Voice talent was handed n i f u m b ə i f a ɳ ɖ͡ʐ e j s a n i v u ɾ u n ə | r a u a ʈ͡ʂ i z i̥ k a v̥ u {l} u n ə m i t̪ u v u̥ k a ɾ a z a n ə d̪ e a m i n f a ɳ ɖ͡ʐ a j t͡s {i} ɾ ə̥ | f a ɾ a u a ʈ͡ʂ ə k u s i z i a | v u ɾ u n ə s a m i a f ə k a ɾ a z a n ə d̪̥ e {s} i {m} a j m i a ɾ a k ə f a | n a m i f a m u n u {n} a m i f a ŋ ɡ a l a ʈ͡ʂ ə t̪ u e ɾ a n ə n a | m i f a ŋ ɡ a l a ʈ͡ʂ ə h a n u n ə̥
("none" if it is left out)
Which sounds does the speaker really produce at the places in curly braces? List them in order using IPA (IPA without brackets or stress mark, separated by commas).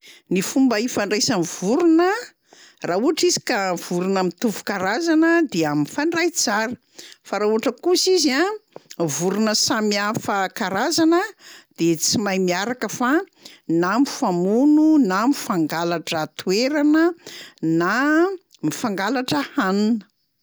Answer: ɾ, a, t͡s, m, n